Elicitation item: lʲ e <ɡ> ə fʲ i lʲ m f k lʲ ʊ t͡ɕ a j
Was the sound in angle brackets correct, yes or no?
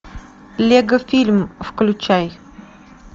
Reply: yes